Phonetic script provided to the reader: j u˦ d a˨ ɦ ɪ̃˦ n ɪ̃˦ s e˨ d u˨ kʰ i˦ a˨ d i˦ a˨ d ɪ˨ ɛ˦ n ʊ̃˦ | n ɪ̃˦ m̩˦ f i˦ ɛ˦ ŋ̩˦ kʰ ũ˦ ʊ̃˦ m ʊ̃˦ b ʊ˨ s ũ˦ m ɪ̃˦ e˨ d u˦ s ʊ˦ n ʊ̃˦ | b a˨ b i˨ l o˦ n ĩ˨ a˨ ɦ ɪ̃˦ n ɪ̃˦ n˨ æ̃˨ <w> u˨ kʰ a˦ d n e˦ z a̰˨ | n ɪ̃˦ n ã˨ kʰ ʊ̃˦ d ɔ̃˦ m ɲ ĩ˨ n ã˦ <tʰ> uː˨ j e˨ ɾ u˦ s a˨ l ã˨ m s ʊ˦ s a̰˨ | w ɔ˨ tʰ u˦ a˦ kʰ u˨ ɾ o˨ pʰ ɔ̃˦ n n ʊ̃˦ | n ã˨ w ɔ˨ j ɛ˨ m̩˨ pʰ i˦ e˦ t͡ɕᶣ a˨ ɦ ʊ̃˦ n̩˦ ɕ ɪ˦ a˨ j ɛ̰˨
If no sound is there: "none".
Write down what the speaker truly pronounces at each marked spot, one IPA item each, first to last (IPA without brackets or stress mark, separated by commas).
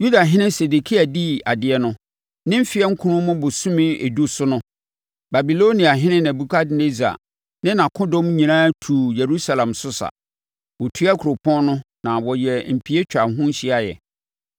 b, tʰ